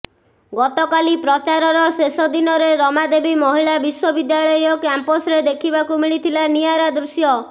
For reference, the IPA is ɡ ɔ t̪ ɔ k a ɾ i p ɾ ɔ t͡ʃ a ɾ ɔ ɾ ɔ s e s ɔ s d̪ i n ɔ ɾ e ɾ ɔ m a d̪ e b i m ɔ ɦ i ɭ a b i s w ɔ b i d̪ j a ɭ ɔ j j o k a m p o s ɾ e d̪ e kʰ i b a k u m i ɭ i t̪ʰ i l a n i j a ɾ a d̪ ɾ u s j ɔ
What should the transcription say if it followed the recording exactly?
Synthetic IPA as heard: ɡ ɔ t̪ ɔ k a l i p ɾ ɔ t͡ʃ a ɾ ɔ ɾ ɔ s e s ɔ d̪ i n ɔ ɾ e ɾ ɔ m a d̪ e b i m ɔ ɦ i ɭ a b i s w ɔ b i d̪ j a ɭ ɔ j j ɔ k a m p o s ɾ e d̪ e kʰ i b a k u m i ɭ i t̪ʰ i l a n i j a ɾ a d̪ ɾ u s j ɔ

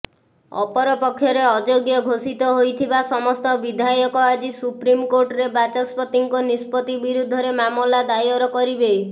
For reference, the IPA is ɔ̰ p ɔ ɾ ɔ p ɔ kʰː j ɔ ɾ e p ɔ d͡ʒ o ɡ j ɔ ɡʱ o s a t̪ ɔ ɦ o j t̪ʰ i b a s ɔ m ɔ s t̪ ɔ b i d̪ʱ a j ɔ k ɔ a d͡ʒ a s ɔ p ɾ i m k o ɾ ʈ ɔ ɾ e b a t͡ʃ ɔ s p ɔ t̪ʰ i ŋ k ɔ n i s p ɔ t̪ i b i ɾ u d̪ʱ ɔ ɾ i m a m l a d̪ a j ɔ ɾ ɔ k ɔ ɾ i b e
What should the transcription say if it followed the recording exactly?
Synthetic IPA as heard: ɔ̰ p ɔ ɾ ɔ p ɔ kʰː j ɔ ɾ e ɔ d͡ʒ o ɡ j ɔ ɡʱ o s i t̪ ɔ ɦ o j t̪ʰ i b a s ɔ m ɔ s t̪ ɔ b i d̪ʱ a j ɔ k ɔ a d͡ʒ i s u p ɾ i m k o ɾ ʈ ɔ ɾ e b a t͡ʃ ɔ s p ɔ t̪ i ŋ k ɔ n i s p ɔ t̪ i b i ɾ u d̪ʱ ɔ ɾ e m a m l a d̪ a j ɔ ɾ ɔ k ɔ ɾ i b e

